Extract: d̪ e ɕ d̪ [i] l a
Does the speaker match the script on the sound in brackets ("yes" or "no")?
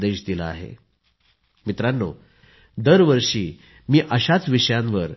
yes